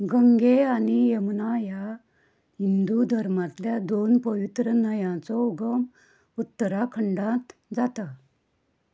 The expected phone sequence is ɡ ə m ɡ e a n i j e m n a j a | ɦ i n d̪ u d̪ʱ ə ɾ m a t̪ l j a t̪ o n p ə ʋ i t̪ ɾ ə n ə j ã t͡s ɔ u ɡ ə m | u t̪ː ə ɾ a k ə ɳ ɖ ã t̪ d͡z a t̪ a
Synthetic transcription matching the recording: ɡ ə ŋ ɡ e a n i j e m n a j a | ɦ i n d̪ u d̪ʱ ə ɾ m a t̪ l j a d̪ o n p ə ʋ i t̪ ɾ ə n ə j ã t͡s ɔ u ɡ ə m | u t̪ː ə ɾ a kʰ ə ɳ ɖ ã t̪ d͡z a t̪ a

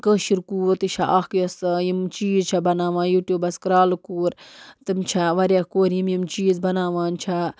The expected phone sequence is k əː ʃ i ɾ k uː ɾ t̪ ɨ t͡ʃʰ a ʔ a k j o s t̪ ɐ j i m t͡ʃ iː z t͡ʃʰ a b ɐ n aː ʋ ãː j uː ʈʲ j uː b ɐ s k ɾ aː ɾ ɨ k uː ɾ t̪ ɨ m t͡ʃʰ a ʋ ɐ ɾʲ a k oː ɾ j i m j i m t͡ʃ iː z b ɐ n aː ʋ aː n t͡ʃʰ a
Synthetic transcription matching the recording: k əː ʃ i ɾ k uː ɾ t̪ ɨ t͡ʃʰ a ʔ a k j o s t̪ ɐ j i m t͡ʃ iː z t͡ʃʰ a b ɐ n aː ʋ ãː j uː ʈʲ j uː b ɐ s k ɾ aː l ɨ k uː ɾ t̪ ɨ m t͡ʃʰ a ʋ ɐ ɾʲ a k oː ɾ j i m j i m t͡ʃ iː z b ɐ n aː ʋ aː n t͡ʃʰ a

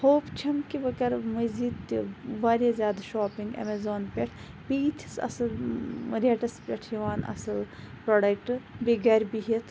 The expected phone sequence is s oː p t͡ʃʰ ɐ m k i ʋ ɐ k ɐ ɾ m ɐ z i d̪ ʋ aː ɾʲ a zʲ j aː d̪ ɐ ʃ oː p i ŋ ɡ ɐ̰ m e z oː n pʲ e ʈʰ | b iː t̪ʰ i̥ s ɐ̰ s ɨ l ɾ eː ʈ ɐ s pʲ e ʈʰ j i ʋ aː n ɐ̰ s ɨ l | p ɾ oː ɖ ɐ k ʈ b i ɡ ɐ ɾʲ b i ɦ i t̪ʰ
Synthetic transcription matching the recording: h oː p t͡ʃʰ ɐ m k i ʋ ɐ k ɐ ɾ m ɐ z i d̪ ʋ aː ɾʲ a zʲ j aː d̪ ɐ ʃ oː p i ŋ ɡ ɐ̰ m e z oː n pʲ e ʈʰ | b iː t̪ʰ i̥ s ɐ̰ s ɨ l ɾ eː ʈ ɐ s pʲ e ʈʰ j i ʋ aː n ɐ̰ s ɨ l | p ɾ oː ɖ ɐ k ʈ b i ɡ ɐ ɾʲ b i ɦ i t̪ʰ

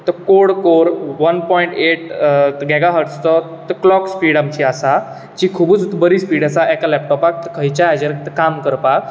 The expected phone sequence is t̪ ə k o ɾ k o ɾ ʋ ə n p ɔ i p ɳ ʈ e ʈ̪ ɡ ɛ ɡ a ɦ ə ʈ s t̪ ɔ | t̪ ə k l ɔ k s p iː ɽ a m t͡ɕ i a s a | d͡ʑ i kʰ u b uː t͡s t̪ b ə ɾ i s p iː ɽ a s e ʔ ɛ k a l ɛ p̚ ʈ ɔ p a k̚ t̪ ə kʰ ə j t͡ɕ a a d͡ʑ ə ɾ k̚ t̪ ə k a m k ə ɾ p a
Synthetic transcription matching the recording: t̪ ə k o ɽ k o ɾ ʋ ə n p ɔ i ɳ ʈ e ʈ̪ ɡ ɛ ɡ a ɦ ə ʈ s t̪ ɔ | t̪ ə k l ɔ k s p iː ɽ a m t͡ɕ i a s a | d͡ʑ i kʰ u b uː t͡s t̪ b ə ɾ i s p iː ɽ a s a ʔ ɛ k a l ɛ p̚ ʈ ɔ p a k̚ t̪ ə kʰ ə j t͡ɕ a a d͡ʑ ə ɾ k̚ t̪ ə k a m k ə ɾ p a

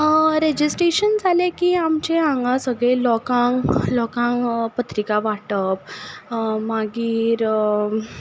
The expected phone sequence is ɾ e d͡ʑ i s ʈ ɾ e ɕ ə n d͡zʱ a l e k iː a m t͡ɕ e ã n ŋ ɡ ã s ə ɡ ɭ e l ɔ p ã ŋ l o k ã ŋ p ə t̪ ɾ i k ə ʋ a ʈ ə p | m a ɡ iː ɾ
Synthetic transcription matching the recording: ɾ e d͡ʑ i s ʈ ɾ e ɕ ə n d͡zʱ a l e k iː a m t͡ɕ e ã ŋ ɡ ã s ə ɡ ɭ e l ɔ k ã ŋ l ɔ k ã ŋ p ə t̪ ɾ i k a ʋ a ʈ ə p | m a ɡ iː ɾ

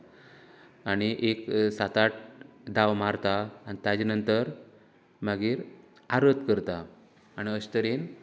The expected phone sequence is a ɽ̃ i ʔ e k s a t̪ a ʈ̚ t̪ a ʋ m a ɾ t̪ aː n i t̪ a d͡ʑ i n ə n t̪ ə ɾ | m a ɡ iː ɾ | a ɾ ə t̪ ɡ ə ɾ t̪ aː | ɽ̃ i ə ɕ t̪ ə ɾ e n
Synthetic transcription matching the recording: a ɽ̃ i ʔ e k s a t̪ a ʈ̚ d̪ a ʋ m a ɾ t̪ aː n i t̪ a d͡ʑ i n ə n t̪ ə ɾ | m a ɡ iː ɾ | a ɾ ə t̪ k ə ɾ t̪ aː | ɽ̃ i ə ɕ t̪ ə ɾ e n

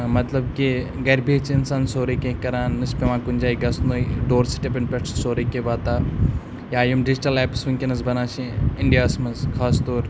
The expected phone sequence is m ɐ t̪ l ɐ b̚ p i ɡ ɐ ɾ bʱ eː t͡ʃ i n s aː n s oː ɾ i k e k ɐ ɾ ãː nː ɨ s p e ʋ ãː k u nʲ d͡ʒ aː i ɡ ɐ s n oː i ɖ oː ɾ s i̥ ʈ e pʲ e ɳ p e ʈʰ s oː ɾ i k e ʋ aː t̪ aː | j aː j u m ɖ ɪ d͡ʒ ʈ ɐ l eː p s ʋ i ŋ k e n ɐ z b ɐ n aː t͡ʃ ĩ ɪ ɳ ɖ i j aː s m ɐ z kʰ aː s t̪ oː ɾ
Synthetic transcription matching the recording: m ɐ t̪ l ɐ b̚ k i ɡ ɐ ɾ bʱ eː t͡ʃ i n s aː n s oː ɾ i k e k ɐ ɾ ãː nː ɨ s p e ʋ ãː k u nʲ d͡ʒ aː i ɡ ɐ s n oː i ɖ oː ɾ s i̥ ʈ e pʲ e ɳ p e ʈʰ s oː ɾ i k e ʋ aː t̪ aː | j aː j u m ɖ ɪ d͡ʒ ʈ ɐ l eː p s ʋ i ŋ k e n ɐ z b ɐ n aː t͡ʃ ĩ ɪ ɳ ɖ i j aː s m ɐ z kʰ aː s t̪ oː ɾ

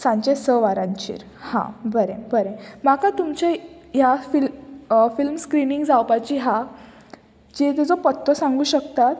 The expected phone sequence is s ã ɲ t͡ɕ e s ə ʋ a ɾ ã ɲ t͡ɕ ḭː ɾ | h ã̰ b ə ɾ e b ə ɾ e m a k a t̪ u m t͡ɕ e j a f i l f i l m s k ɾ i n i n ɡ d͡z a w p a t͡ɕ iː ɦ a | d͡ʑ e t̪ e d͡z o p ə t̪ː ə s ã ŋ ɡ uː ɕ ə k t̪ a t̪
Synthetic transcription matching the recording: s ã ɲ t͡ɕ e s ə ʋ a ɾ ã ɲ t͡ɕ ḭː ɾ | h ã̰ b ə ɾ e b ə ɾ e m a k a t̪ u m t͡ɕ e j a f i l f i l m s k ɾ i n i ŋ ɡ d͡z a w p a t͡ɕ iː ɦ a | d͡ʑ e t̪ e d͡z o p ə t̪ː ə s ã ŋ ɡ uː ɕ ə k t̪ a t̪

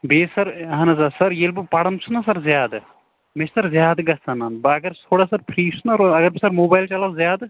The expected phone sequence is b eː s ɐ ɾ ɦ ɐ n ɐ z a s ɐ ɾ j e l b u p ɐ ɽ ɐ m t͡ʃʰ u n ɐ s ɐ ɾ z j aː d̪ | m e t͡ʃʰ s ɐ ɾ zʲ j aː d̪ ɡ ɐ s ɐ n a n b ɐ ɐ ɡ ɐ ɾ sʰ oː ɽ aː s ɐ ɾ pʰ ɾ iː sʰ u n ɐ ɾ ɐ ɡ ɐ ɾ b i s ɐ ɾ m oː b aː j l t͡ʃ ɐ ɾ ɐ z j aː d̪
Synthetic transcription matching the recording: b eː s ɐ ɾ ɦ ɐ n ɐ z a s ɐ ɾ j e l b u p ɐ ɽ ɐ m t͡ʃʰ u n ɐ s ɐ ɾ z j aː d̪ | m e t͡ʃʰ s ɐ ɾ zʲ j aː d̪ ɡ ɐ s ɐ n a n b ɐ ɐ ɡ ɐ ɾ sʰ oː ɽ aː s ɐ ɾ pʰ ɾ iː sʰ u n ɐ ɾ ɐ ɡ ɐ ɾ b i s ɐ ɾ m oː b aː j l t͡ʃ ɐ l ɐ z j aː d̪

